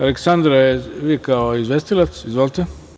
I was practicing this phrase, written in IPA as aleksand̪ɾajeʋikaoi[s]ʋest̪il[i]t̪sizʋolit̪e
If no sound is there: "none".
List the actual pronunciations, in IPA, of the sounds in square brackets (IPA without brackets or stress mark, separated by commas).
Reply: z, a